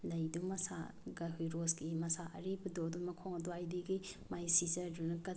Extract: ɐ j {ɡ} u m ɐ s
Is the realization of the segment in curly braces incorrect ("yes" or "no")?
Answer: yes